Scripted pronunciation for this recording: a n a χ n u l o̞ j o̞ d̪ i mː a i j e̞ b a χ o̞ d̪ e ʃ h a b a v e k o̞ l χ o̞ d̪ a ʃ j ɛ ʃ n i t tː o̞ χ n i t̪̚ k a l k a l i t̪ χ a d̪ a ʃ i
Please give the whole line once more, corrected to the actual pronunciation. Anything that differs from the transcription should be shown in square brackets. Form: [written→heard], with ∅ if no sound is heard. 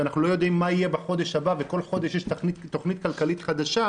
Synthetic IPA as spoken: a n a χ n u l o̞ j o̞ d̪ i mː a i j e̞ b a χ o̞ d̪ e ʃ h a b a v e k o̞ l χ o̞ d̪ [a→e] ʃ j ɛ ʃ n i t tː o̞ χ n i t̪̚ k a l k a l i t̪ χ a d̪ a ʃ [i→a]